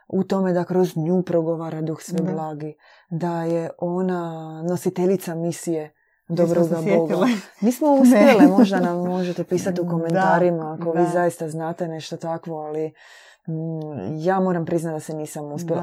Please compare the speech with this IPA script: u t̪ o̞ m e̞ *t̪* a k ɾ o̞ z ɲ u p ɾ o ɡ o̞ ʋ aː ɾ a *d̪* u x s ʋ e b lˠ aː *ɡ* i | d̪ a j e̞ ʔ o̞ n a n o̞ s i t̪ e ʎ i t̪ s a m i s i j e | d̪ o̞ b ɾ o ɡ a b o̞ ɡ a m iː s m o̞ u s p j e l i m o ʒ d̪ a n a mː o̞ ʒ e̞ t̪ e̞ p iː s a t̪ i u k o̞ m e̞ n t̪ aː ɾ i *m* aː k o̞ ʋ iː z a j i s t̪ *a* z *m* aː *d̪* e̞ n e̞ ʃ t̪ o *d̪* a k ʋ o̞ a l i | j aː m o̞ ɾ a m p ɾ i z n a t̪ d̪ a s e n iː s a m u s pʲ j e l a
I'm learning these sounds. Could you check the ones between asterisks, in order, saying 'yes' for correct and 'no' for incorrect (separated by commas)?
no, yes, yes, yes, yes, no, no, no